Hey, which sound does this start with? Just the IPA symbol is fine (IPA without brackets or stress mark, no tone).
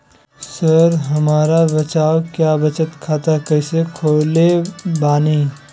s